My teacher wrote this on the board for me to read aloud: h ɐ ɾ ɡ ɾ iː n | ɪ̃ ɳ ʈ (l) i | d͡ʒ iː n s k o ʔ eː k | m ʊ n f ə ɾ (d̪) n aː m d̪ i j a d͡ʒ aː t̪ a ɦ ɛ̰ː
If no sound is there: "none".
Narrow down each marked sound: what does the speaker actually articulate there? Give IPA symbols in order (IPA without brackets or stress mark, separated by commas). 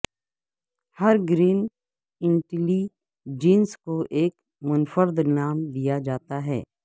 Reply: l, d̪